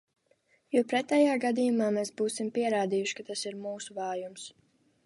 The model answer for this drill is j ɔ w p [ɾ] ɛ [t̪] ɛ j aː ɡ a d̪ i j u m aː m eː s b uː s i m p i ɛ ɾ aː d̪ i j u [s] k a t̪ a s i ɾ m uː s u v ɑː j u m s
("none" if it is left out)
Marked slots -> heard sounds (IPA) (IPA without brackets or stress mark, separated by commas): ɾ, t̪, ʃ